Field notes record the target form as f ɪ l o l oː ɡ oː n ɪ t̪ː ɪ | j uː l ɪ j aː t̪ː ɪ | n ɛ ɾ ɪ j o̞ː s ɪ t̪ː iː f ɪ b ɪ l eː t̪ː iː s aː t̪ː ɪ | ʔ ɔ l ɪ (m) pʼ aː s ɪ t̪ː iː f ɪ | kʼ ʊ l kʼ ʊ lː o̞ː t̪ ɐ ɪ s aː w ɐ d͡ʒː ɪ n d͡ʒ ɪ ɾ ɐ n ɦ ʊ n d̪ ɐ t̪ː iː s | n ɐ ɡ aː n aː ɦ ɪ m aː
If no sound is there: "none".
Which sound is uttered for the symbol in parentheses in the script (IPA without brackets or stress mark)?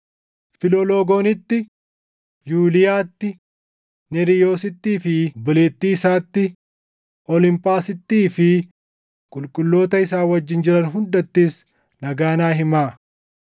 m